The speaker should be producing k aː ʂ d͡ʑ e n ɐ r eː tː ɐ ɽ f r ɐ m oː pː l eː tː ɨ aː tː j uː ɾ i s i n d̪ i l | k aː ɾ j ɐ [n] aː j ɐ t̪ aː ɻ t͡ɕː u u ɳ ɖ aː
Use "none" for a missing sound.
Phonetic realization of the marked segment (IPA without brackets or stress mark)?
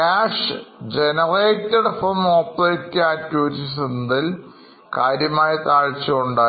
m